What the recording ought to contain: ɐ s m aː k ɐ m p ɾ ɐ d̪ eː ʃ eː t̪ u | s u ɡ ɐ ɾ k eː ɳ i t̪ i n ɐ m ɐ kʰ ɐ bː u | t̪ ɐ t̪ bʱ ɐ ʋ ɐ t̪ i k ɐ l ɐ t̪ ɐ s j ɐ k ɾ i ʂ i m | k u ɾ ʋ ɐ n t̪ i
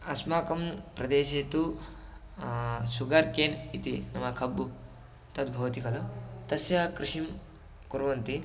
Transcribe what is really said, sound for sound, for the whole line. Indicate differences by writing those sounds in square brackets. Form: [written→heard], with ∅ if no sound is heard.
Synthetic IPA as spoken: ɐ s m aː k ɐ m p ɾ ɐ d̪ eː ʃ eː t̪ u | s u ɡ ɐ ɾ k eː [ɳ→n] i t̪ i n ɐ m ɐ kʰ ɐ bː u | t̪ ɐ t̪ bʱ ɐ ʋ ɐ t̪ i k ɐ l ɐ t̪ ɐ s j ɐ k ɾ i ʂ i m | k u ɾ ʋ ɐ n t̪ i